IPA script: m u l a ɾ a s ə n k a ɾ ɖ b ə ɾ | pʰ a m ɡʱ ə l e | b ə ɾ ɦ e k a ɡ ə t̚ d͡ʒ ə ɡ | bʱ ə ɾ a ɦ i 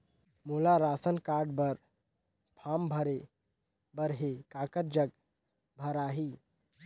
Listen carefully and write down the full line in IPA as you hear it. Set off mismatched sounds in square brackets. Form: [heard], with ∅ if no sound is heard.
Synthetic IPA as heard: m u l a ɾ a s ə n k a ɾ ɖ b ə ɾ | pʰ a m [bʱ] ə [ɾ] e | b ə ɾ ɦ e k a [k] ə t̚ d͡ʒ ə ɡ | bʱ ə ɾ a ɦ i